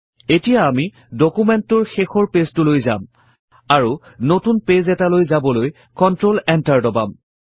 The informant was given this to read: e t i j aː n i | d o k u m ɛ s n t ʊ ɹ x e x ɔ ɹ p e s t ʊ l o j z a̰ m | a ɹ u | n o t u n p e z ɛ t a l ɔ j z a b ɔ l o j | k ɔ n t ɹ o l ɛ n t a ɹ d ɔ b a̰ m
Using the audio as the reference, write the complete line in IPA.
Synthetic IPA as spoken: e t i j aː m i | d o k u m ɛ n t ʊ ɹ x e x ɔ ɹ p e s t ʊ l o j z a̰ m | a ɹ u | n o t u n p e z ɛ t a l o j z a b ɔ l o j | k ɔ n t ɹ o l ɛ n t a ɹ d ɔ b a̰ m